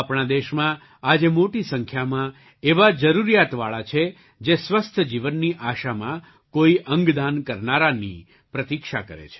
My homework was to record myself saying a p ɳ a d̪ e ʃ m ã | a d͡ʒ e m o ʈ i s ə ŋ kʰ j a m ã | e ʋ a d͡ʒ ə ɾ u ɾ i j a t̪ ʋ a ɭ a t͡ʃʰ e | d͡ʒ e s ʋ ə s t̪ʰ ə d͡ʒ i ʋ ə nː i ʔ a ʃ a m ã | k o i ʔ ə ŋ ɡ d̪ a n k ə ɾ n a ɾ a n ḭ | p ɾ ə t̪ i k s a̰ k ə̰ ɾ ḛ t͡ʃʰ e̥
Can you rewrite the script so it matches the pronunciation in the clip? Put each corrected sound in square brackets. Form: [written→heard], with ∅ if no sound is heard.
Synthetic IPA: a p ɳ a d̪ e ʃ m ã | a d͡ʒ e m o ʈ i s ə ŋ kʰ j a m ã | e ʋ a d͡ʒ ə ɾ u ɾ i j a t̪ ʋ a ɭ a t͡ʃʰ e | d͡ʒ e s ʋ ə s t̪ʰ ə d͡ʒ i ʋ ə nː i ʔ a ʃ a m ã | k o i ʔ ə ŋ ɡ d̪ a n k ə ɾ n a ɾ a n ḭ | p ɾ ə t̪ i k [s→ʃ] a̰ k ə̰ ɾ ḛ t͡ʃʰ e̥